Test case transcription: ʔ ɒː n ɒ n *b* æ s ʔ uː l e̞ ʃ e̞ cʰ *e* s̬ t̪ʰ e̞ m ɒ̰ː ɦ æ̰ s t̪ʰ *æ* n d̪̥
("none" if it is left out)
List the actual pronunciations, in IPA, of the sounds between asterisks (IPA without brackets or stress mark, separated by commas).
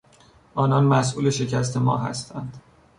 m, æ, æ